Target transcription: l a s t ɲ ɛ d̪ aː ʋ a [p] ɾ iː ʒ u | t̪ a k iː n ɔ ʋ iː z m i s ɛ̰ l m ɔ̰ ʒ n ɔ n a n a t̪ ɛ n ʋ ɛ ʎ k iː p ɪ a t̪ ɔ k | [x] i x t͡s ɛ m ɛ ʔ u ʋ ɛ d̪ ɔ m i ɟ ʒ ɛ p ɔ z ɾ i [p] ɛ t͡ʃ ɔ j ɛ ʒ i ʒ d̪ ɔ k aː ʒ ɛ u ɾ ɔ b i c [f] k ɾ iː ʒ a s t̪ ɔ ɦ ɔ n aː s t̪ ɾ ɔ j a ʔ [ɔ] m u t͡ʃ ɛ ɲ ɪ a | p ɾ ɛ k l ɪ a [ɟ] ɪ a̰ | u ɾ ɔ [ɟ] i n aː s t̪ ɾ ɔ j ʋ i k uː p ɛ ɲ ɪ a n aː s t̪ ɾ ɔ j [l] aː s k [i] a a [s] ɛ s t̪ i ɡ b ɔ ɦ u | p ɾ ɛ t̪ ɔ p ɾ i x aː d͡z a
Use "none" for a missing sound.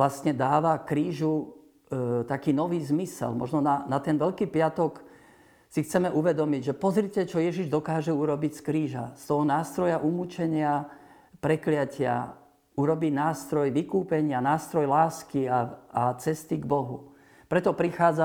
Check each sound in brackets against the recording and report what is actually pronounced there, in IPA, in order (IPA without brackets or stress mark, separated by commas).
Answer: k, s, c, s, u, c, b, l, i, t͡s